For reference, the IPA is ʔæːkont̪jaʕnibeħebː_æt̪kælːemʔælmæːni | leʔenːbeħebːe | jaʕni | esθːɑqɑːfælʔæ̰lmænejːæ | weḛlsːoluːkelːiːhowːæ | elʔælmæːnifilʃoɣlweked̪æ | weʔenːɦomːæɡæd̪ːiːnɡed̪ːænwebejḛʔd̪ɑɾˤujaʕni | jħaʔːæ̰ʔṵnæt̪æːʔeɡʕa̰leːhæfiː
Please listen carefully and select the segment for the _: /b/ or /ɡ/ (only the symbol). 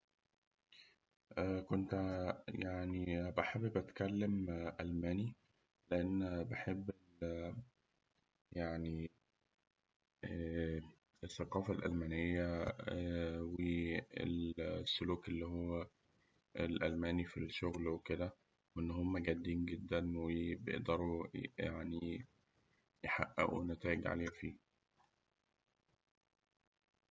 b